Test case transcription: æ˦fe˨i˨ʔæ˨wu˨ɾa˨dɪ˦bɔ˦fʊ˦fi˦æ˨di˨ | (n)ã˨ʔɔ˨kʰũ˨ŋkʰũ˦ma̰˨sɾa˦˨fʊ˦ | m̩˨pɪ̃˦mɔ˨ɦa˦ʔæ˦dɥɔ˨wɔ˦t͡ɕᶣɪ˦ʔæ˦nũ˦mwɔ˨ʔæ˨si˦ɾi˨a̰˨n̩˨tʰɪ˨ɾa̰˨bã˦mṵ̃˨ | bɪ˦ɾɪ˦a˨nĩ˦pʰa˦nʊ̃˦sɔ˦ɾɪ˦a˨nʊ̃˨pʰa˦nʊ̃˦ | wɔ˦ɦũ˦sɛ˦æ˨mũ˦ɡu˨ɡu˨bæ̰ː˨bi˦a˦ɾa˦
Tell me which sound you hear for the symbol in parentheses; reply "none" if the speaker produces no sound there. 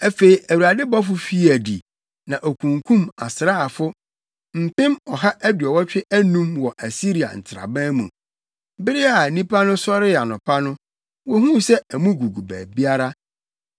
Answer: n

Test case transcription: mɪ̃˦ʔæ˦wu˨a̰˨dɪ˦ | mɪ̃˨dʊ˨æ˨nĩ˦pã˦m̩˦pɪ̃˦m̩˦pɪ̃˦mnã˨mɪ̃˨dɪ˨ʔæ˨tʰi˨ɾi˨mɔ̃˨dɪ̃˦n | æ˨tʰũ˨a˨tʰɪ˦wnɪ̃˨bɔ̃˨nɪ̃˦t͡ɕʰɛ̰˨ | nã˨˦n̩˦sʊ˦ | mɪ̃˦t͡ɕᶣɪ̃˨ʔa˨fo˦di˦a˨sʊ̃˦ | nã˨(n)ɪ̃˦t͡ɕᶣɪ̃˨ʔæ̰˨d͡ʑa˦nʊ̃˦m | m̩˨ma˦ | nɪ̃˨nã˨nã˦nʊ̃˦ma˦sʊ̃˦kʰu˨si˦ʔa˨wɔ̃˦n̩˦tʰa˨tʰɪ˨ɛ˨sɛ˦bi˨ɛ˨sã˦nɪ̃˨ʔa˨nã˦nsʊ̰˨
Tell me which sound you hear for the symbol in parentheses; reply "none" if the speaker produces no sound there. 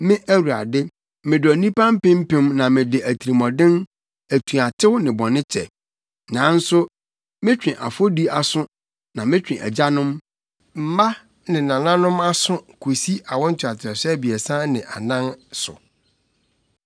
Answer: m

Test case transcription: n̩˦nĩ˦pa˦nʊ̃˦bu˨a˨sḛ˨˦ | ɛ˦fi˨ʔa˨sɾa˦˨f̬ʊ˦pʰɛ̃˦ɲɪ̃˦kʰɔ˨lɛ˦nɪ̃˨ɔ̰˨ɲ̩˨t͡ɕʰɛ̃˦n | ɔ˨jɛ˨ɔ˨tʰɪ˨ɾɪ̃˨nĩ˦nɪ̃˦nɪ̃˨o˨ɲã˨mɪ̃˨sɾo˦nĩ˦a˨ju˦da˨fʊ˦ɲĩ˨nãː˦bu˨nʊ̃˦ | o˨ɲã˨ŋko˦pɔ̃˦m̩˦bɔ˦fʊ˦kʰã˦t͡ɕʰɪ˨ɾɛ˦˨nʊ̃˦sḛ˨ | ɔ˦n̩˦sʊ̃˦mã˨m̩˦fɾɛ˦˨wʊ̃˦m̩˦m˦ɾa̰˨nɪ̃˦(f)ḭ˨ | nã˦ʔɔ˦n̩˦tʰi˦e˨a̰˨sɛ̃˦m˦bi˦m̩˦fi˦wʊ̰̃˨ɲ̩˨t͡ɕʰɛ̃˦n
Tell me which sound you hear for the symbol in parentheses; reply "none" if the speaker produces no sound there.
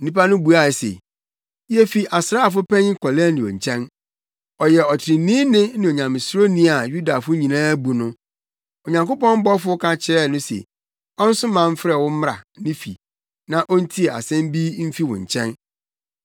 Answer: f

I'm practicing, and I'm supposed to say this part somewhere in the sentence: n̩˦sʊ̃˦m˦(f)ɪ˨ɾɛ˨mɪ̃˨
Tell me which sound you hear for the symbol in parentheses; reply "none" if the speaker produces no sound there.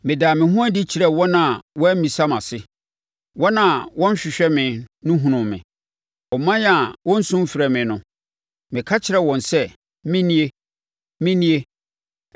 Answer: f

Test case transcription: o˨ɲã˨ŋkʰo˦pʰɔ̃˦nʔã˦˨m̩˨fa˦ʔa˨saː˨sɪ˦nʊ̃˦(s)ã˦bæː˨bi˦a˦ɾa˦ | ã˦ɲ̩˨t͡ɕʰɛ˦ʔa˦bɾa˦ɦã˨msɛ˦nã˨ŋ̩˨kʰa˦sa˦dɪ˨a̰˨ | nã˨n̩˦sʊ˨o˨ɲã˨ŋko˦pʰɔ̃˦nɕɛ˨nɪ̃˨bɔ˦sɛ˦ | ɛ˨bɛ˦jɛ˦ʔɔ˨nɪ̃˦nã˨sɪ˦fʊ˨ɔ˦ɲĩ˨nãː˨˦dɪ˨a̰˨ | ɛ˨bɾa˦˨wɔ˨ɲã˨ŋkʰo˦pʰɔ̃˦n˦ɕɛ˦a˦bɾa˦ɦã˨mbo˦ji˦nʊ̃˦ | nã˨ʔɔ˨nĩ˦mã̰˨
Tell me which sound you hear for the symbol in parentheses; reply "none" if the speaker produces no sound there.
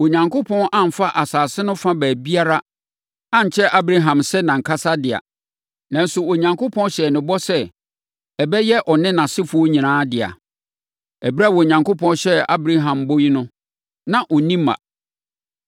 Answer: f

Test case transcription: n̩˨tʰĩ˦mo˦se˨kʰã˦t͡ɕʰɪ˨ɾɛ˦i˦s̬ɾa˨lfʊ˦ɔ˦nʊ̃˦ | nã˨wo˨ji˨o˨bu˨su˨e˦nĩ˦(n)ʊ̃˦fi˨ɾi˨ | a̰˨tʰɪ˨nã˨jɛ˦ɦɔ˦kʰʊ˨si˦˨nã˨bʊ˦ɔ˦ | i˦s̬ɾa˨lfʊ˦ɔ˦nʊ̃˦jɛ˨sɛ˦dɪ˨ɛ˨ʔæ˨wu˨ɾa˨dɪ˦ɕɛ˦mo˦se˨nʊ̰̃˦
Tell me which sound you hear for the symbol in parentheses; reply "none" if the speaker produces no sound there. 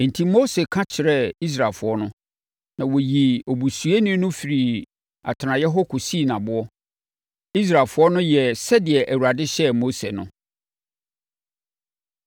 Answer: n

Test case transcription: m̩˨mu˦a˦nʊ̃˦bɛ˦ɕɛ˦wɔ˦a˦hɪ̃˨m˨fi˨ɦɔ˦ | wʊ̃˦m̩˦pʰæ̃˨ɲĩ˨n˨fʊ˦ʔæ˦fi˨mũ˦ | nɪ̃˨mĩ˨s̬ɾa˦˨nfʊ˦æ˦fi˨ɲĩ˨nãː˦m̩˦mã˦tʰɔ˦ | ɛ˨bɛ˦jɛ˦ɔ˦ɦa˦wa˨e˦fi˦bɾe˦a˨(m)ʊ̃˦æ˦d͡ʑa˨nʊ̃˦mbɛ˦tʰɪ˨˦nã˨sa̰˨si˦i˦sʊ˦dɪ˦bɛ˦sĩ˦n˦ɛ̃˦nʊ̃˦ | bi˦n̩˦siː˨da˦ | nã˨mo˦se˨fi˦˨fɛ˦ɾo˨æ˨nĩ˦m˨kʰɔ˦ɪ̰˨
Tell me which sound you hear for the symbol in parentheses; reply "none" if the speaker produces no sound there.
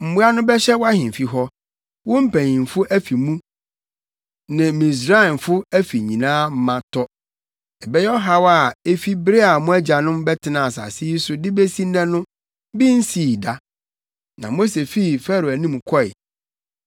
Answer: m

